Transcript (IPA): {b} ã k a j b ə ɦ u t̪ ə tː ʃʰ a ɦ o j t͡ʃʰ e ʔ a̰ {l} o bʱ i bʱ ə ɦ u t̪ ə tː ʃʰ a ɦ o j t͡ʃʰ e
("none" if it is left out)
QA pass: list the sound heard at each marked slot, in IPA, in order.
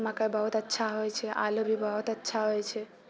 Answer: m, l

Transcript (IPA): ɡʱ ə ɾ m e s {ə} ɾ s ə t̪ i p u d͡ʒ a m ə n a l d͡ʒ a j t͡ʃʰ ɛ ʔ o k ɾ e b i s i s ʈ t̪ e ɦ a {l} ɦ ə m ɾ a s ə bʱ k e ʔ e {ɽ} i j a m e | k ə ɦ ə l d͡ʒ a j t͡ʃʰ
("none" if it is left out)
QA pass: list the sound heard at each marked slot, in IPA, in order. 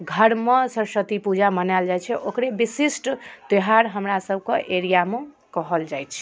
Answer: ə, ɾ, ɾ

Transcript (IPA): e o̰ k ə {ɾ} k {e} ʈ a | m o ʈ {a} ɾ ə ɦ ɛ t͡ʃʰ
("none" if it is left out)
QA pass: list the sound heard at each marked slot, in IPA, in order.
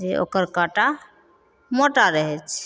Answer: ɾ, a, a

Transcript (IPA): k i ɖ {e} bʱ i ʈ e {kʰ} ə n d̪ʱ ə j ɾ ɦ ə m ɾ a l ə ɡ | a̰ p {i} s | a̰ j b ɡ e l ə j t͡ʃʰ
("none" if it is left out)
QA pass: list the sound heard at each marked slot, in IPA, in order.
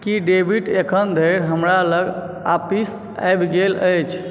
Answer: e, kʰ, i

